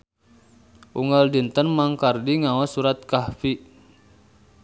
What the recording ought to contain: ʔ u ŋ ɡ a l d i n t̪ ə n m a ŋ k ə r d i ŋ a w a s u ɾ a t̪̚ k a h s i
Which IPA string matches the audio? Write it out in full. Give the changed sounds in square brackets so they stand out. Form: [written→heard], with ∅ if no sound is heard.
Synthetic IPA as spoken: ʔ u ŋ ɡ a l d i n t̪ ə n m a ŋ k [ə→a] r d i ŋ a w a s u ɾ a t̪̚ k a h [s→f] i